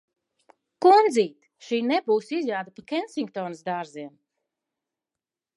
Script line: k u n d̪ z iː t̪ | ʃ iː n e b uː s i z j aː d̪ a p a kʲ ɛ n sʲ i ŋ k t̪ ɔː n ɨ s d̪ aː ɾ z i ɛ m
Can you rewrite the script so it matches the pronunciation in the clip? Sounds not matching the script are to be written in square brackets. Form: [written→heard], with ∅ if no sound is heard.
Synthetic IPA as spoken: k u n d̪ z iː t̪ | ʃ iː n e b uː s i z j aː d̪ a p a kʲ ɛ n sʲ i ŋ k t̪ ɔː n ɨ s d̪ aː ɾ z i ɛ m